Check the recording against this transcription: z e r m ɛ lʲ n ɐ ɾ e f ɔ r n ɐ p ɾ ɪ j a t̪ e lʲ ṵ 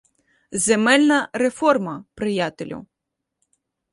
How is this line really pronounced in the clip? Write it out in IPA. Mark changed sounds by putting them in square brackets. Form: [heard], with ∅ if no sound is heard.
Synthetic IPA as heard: z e [∅] m ɛ lʲ n ɐ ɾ e f ɔ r [m] ɐ p ɾ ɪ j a t̪ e lʲ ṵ